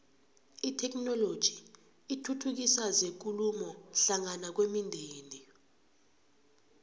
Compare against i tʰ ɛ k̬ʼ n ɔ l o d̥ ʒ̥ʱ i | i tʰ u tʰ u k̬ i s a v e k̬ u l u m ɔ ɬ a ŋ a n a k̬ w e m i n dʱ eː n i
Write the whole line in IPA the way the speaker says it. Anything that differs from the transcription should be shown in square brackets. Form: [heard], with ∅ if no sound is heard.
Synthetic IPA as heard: i tʰ ɛ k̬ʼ n ɔ l o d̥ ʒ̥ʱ i | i tʰ u tʰ u k̬ i s a [z] e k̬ u l u m ɔ ɬ a ŋ a n a k̬ w e m i n dʱ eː n i